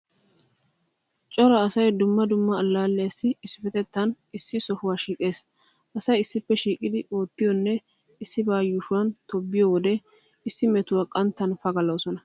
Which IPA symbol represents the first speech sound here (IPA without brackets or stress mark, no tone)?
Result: t͡ʃʼ